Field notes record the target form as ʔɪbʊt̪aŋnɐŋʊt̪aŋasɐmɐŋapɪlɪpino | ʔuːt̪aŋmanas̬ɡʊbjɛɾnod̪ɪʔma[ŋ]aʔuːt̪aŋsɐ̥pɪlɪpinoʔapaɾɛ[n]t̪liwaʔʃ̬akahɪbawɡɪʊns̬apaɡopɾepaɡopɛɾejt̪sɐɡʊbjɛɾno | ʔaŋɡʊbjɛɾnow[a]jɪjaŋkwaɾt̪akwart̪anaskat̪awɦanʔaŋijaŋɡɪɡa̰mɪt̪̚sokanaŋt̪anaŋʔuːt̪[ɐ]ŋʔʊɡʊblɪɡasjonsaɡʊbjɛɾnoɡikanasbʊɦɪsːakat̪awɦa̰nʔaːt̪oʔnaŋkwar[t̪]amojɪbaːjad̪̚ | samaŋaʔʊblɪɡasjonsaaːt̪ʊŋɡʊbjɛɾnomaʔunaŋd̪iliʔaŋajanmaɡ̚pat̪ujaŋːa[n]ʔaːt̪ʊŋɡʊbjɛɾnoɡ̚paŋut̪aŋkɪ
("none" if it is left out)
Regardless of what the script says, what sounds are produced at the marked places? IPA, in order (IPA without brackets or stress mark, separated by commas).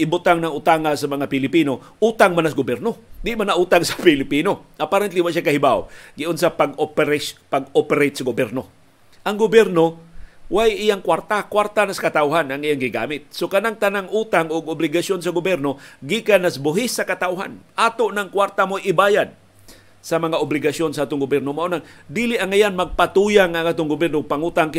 n, n, a, a, t̪, ŋ